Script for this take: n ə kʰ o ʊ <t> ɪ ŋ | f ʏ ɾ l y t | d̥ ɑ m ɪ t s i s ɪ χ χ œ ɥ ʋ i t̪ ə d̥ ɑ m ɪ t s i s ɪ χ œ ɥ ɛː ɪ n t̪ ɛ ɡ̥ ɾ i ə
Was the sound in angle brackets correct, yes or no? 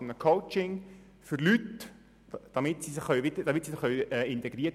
no